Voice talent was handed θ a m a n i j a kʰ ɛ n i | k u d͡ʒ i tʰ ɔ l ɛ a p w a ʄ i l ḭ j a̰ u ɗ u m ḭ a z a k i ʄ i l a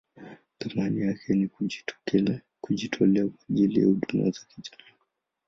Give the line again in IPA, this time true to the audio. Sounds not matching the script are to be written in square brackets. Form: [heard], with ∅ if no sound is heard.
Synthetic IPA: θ a m a n i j a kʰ ɛ n i | k u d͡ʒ i tʰ ɔ l ɛ a [k] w a ʄ i l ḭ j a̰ u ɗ u m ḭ a z a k i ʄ [a] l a